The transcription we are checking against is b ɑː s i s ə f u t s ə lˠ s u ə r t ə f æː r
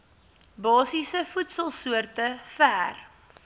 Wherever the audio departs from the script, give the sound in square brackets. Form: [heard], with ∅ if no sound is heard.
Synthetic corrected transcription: b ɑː s i s ə f u t s ə lˠ s u ə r t ə f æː r